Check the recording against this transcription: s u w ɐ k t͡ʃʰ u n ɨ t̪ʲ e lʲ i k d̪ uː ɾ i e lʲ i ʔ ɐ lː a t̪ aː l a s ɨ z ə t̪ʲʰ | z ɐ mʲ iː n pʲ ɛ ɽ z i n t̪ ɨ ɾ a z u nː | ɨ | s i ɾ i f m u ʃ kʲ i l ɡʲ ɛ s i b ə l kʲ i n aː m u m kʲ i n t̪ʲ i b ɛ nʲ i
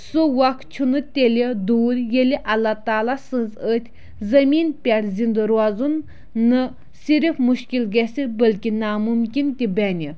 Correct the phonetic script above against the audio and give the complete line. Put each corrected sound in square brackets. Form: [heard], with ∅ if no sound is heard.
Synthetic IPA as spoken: s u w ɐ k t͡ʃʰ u n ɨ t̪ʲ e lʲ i [∅] d̪ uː ɾ [j] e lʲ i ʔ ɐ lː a t̪ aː l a s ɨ z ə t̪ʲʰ | z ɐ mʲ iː n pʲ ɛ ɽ z i n [d̪] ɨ ɾ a z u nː | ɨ | s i ɾ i f m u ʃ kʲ i l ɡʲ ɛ s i b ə l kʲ i n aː m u m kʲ i n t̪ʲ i b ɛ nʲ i